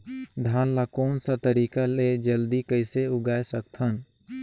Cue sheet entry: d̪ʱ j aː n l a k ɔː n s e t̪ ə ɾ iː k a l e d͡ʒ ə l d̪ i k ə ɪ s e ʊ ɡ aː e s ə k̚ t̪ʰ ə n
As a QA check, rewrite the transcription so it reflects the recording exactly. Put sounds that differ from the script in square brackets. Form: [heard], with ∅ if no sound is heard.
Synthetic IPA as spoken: d̪ʱ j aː n l a k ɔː n s [a] t̪ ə ɾ iː k a l e d͡ʒ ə l d̪ i k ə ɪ s e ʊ ɡ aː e s ə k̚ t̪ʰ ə n